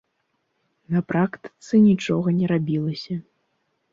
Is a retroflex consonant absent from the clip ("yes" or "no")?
no